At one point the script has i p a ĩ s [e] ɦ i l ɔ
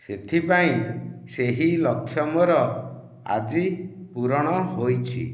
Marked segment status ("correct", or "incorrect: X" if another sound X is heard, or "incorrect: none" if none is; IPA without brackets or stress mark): correct